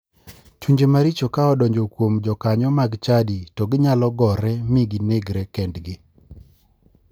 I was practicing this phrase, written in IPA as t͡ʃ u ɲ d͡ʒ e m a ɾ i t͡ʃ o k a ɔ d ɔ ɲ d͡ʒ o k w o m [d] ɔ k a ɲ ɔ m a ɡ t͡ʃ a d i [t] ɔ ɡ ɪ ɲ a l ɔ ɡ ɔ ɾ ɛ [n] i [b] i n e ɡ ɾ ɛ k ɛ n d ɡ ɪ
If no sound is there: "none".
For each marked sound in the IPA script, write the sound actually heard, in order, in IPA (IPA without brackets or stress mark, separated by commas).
d͡ʒ, t, m, ɡ